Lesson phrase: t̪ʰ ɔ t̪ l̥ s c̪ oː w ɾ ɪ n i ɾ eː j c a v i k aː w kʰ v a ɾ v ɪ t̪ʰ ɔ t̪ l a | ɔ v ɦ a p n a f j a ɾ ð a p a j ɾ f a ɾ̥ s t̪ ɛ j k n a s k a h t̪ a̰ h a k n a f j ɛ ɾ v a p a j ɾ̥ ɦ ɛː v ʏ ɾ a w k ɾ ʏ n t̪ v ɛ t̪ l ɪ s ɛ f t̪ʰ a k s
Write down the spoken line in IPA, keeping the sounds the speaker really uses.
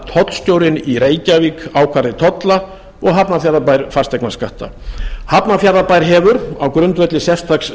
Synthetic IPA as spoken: t̪ʰ ɔ t̪ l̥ s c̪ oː w ɾ ɪ n i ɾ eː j c a v i k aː w kʰ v a ɾ ð ɪ t̪ʰ ɔ t̪ l a | ɔ ɣ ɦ a p n a f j a ɾ ð a p a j ɾ f a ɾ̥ s t̪ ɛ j k n a s k a h t̪ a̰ h a p n a f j a ɾ ð a p a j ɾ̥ ɦ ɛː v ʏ ɾ a w k ɾ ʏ n t̪ v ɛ t̪ l ɪ s ɛ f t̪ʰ a k s